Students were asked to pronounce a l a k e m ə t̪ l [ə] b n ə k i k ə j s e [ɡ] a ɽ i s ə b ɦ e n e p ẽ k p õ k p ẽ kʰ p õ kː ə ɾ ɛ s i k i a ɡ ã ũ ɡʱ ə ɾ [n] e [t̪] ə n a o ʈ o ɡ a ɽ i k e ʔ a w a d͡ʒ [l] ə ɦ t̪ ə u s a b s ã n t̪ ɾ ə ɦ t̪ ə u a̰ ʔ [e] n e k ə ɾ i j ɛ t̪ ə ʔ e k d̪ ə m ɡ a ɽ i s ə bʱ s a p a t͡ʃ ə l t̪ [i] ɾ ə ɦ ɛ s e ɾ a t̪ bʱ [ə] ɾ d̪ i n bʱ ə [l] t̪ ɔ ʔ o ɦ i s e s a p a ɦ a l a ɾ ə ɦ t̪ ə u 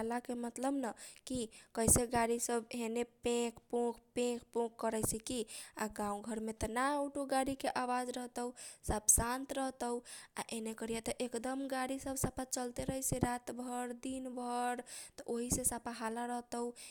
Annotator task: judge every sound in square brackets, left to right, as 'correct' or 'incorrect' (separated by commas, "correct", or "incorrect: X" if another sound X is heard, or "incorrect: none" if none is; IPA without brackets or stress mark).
correct, correct, incorrect: m, correct, incorrect: ɾ, correct, incorrect: e, correct, incorrect: ɾ